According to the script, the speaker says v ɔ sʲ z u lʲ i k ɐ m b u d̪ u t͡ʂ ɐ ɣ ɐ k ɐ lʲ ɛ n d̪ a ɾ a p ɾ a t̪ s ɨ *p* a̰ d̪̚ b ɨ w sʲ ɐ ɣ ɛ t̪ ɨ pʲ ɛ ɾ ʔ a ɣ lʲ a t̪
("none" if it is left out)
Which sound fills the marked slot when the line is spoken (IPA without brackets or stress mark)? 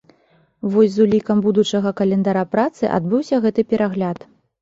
ʔ